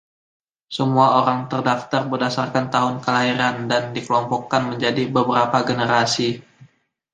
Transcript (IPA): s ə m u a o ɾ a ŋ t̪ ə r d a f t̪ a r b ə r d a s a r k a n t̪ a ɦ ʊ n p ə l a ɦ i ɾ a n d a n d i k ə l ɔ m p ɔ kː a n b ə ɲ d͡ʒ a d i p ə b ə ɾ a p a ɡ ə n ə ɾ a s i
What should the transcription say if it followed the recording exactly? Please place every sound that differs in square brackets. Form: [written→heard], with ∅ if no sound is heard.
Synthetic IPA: s ə m u a o ɾ a ŋ t̪ ə r d a f t̪ a r b ə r d a s a r k a n t̪ a ɦ ʊ n [p→k] ə l a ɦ i ɾ a n d a n d i k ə l ɔ m p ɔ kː a n [b→m] ə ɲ d͡ʒ a d i [p→b] ə b ə ɾ a p a ɡ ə n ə ɾ a s i